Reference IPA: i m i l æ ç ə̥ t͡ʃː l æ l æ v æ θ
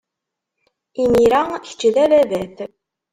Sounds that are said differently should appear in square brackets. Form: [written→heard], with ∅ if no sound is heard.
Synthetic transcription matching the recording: i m i [l→ɾ] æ ç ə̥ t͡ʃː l æ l æ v æ θ